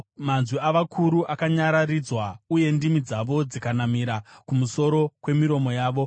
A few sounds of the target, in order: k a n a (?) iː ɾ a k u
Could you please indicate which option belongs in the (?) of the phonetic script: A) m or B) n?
A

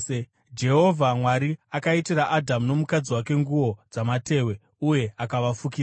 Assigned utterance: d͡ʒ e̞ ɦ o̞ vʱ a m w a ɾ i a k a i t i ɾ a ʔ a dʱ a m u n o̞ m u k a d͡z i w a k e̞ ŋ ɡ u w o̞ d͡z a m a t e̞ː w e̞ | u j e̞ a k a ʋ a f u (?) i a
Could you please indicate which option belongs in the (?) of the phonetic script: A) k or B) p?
A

